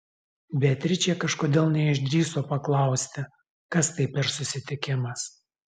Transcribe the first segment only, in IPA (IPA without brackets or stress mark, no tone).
bʲ